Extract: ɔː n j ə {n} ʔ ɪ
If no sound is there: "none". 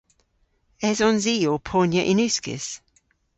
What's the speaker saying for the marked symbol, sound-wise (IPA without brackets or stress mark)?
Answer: none